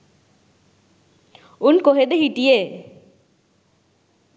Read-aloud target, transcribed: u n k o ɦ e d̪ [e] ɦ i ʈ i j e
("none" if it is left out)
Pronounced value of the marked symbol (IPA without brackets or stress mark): e